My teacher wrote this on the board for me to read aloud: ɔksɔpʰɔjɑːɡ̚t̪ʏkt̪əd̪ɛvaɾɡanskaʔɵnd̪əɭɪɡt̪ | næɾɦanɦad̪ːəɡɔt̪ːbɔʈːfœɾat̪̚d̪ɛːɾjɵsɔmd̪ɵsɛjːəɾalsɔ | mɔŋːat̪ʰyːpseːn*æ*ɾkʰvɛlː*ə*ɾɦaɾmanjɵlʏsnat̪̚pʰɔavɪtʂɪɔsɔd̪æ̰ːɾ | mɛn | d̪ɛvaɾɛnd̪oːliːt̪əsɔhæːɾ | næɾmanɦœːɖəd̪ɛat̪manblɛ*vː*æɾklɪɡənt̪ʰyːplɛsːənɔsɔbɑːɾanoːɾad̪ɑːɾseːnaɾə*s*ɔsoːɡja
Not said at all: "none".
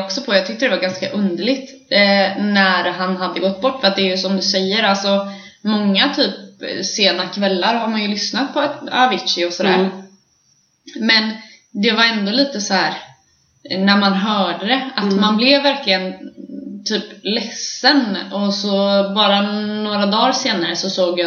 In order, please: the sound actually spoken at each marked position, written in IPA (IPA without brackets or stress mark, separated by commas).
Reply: a, a, vː, s